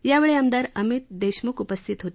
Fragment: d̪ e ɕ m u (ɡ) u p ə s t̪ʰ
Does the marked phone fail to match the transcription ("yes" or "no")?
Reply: yes